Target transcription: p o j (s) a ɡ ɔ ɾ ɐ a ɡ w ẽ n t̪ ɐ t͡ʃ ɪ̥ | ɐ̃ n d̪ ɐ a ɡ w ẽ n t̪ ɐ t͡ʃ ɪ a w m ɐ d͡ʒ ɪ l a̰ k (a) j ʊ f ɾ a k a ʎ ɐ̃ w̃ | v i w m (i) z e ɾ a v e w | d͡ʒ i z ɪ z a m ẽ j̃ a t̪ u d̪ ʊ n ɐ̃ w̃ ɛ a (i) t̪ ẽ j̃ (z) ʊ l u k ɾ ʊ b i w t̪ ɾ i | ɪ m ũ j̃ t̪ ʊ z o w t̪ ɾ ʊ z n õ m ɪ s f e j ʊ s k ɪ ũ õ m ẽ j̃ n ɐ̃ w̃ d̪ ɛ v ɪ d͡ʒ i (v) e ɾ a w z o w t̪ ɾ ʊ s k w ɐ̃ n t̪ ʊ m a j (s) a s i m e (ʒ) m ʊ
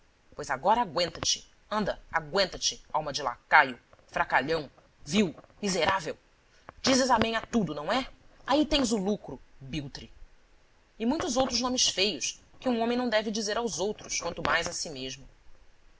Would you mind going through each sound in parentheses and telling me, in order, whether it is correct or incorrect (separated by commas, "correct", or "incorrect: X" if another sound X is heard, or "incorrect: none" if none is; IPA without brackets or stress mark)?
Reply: incorrect: z, correct, correct, correct, correct, incorrect: z, incorrect: z, correct